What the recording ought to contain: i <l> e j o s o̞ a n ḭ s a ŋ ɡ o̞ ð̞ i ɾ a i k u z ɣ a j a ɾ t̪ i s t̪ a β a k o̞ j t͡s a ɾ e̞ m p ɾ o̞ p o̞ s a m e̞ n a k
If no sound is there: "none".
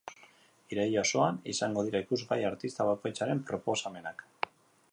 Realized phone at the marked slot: ɾ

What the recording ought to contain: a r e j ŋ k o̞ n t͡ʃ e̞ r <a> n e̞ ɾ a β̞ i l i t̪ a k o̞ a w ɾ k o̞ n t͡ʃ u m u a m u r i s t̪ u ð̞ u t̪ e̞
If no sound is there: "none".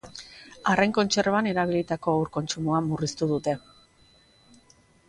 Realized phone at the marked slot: a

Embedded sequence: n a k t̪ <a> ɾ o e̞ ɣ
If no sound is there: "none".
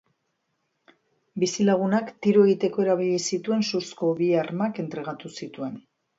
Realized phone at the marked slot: i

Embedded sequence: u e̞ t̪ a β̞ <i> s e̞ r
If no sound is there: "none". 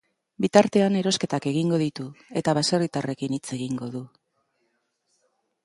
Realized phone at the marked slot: a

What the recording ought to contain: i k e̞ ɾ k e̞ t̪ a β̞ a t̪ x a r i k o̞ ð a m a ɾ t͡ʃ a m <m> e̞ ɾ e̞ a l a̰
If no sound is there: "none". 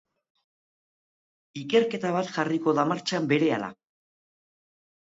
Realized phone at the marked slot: b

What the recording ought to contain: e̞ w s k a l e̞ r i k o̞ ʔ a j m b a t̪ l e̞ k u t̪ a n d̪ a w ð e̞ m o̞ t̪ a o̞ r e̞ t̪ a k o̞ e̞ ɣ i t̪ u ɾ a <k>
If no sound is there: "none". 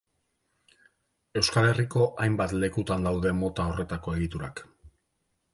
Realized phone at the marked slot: k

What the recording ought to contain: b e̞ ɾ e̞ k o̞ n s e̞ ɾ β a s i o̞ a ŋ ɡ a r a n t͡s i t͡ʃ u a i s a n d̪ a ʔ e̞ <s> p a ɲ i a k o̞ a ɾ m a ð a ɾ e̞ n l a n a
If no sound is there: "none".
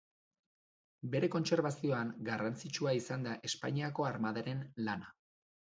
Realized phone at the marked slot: s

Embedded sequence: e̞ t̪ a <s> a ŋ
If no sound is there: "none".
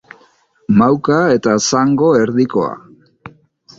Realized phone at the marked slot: s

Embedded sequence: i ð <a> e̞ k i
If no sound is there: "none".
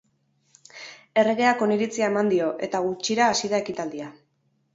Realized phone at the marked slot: a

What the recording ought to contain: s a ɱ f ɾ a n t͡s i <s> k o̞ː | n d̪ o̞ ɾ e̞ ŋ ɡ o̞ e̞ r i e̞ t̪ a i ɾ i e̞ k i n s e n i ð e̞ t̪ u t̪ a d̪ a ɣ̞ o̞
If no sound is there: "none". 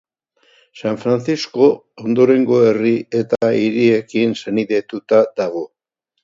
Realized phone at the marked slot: s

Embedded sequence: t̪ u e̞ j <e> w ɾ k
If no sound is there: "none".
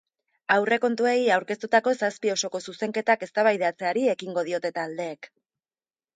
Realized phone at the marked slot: a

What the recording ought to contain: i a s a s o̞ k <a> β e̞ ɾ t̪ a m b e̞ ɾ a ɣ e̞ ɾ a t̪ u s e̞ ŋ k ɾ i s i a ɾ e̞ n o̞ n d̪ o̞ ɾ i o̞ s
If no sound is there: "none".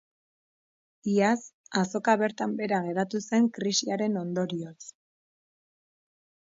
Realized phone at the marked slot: a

